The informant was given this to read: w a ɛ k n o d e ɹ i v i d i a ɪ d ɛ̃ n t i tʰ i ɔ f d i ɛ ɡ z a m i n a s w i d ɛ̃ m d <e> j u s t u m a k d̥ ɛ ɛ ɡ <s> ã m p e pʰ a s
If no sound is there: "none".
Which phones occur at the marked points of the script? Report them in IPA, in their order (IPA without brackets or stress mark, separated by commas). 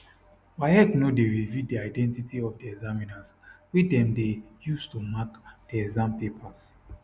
e, z